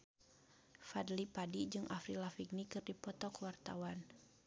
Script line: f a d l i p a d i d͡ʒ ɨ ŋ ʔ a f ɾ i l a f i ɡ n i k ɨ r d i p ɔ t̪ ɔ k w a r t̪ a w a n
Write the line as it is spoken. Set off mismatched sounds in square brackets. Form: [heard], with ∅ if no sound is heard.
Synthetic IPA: f a d l i p a d i d͡ʒ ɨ ŋ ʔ a f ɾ i l a f i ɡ n i k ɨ r d i p ɔ t̪ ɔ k w a r t̪ a w a n